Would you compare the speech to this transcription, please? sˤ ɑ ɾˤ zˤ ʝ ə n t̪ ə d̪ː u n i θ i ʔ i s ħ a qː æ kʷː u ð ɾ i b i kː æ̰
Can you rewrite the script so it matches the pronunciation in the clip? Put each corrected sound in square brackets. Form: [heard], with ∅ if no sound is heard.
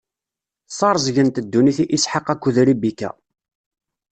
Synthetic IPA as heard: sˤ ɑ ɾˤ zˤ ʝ ə n t̪ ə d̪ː u n i θ i ʔ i s ħ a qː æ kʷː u ð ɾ i b i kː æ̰